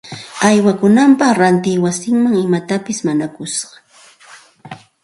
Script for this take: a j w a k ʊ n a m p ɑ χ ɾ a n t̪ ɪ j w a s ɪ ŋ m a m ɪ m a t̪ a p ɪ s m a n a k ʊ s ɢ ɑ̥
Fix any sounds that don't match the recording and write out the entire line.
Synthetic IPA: a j w a k ʊ n a m p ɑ χ ɾ a n t̪ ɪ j w a s ɪ ŋ m a ŋ ɪ m a t̪ a p ɪ s m a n a k ʊ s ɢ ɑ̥

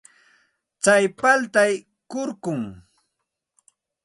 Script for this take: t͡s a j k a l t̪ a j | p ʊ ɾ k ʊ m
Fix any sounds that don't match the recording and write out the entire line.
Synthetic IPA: t͡s a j p a l t̪ a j | k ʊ ɾ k ʊ ŋ

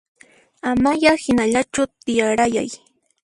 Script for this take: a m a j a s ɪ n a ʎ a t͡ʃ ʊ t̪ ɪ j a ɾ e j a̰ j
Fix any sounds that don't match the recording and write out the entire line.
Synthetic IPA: a m a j a h ɪ n a ʎ a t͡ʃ ʊ t̪ ɪ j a ɾ a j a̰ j

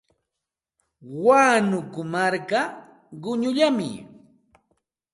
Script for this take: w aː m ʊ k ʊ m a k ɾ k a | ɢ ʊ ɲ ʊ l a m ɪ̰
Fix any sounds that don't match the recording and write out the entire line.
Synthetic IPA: w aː n ʊ k ʊ m a ɾ k a | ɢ ʊ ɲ ʊ ʎ a m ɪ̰

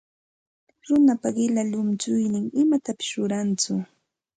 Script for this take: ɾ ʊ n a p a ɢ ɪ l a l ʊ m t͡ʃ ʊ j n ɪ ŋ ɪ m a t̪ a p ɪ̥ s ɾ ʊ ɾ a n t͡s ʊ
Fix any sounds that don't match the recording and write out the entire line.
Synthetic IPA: ɾ ʊ n a p a ɢ ɪ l a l ʊ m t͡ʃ ʊ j n ɪ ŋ ɪ m a t̪ a p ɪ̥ s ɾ ʊ ɾ a n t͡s ʊ

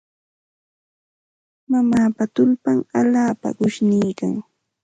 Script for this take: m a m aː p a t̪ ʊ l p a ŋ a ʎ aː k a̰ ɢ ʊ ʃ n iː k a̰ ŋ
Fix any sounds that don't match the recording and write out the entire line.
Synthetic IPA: m a m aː p a t̪ ʊ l p a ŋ a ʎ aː p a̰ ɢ ʊ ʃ n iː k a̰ ŋ

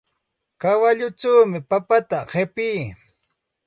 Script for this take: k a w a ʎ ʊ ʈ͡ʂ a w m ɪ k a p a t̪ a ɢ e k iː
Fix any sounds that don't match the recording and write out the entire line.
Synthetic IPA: k a w a ʎ ʊ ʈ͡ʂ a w m ɪ p a p a t̪ a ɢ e p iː

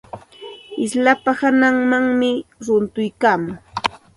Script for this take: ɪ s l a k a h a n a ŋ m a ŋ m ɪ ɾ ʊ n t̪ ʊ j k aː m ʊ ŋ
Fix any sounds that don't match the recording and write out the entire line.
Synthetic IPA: ɪ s l a p a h a n a ŋ m a ŋ m ɪ ɾ ʊ n t̪ ʊ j k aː m ʊ ŋ

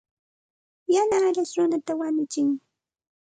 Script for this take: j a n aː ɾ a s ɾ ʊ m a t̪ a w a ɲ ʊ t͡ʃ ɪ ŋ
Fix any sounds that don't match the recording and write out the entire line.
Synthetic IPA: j a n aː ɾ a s ɾ ʊ n a t̪ a w a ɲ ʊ t͡ʃ ɪ ŋ

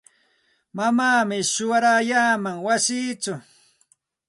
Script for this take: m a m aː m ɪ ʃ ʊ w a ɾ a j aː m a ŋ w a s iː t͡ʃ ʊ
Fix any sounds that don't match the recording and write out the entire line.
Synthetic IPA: m a m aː m ɪ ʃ ʊ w a ɾ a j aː m a ŋ w a s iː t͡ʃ ʊ

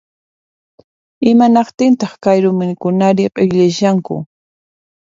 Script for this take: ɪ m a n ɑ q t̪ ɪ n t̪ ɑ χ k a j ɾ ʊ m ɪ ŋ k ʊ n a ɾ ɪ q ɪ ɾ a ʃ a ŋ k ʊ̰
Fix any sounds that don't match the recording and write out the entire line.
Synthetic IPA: ɪ m a n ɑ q t̪ ɪ n t̪ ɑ χ k a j ɾ ʊ m ɪ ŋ k ʊ n a ɾ ɪ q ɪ ʎ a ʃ a ŋ k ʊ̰

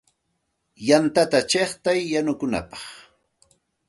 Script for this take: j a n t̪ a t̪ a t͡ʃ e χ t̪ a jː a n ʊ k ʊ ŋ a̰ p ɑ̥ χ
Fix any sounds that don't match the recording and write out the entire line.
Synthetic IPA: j a n t̪ a t̪ a t͡ʃ e χ t̪ a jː a n ʊ k ʊ n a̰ p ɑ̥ χ

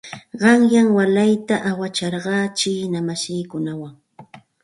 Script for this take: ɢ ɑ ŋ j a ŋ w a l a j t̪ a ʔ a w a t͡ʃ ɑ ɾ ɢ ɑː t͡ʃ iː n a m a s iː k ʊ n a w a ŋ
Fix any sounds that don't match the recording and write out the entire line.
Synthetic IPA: ɢ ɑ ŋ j a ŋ w a l a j t̪ a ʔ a w a t͡ʃ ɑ ɾ ɢ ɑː t͡ʃ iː n a m a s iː k ʊ n a w a ŋ

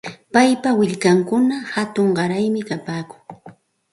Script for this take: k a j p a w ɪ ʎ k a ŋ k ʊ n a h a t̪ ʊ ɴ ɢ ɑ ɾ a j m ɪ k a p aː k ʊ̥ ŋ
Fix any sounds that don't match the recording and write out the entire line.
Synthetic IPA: p a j p a w ɪ ʎ k a ŋ k ʊ n a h a t̪ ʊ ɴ ɢ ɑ ɾ a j m ɪ k a p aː k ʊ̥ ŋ

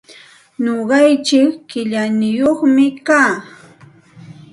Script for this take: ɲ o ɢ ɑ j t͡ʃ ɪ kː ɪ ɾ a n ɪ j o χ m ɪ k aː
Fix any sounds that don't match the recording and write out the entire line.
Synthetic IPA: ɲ o ɢ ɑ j t͡ʃ ɪ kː ɪ ʎ a n ɪ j o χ m ɪ k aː

